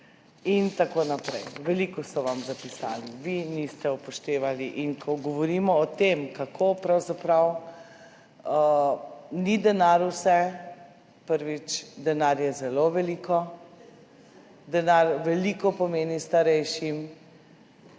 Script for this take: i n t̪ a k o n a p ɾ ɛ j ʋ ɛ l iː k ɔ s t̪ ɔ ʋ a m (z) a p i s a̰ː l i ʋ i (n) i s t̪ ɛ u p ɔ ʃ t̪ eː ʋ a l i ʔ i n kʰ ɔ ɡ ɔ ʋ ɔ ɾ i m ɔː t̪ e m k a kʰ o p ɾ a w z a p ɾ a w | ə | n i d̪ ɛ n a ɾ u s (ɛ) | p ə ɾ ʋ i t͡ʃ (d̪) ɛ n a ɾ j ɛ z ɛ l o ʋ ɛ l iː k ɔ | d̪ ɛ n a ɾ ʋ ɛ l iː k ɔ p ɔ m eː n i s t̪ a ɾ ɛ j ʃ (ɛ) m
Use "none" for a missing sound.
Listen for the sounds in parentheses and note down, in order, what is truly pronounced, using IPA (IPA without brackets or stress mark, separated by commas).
z, n, ɛ, d̪, i